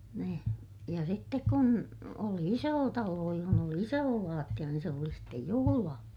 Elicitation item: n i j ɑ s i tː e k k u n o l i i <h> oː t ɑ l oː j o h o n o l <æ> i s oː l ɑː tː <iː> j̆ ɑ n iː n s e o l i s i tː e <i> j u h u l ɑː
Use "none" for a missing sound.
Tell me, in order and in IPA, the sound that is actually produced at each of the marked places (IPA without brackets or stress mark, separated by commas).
s, i, i, j